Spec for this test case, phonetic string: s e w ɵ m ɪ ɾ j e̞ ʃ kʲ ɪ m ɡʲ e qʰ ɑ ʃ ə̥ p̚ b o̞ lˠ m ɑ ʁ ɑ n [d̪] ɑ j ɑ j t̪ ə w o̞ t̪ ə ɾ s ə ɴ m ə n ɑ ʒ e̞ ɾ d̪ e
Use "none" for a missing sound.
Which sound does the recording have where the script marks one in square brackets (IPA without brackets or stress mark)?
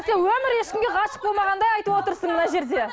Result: d̪